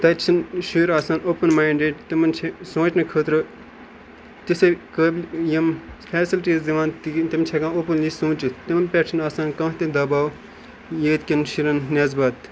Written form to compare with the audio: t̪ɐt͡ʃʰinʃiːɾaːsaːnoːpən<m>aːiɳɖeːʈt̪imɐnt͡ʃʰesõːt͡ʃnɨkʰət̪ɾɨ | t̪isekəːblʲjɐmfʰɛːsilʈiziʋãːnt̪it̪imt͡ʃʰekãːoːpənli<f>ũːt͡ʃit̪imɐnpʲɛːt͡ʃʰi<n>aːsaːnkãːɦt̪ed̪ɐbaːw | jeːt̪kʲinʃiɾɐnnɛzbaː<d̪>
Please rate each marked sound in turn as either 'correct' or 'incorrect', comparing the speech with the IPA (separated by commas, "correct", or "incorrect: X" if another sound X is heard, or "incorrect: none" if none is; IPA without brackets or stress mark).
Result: correct, incorrect: s, correct, incorrect: t̪